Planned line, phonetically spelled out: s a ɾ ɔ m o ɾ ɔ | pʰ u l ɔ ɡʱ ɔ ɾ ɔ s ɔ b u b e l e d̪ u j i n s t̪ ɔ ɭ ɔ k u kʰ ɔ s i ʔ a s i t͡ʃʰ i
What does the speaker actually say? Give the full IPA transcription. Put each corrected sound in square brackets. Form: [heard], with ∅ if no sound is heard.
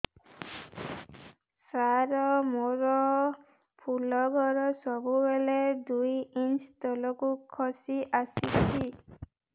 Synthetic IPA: s a ɾ ɔ m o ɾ ɔ | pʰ u l ɔ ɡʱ ɔ ɾ ɔ s ɔ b u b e l e d̪ u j i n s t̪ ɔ [l] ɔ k u kʰ ɔ s i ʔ a s i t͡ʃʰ i